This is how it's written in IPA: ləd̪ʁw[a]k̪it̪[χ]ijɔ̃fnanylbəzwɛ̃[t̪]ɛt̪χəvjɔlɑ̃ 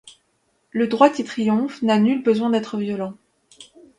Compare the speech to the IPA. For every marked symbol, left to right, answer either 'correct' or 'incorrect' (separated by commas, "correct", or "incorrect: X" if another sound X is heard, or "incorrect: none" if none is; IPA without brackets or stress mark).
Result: correct, correct, incorrect: d̪